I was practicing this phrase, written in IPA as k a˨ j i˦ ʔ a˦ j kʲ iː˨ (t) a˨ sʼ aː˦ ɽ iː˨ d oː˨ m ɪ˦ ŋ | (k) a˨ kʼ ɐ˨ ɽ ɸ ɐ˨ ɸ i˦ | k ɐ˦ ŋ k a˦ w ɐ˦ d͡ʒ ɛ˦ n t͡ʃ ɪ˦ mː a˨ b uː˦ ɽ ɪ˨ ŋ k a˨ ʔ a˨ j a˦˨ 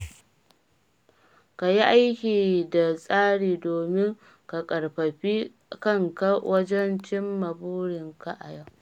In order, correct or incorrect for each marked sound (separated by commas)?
incorrect, correct